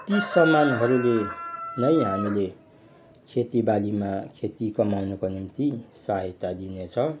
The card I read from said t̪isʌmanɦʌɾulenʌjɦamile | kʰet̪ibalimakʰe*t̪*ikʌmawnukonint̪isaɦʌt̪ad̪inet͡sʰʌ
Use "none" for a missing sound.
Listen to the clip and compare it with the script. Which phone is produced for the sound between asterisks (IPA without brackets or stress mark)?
t̪